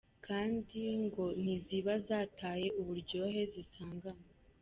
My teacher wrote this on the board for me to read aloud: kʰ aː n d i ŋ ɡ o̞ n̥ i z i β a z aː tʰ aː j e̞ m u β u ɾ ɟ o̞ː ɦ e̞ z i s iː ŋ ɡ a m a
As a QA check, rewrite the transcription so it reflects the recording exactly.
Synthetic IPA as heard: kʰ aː n d i ŋ ɡ o̞ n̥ i z i β a z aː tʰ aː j e̞ u β u ɾ ɟ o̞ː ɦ e̞ z i s aː ŋ ɡ a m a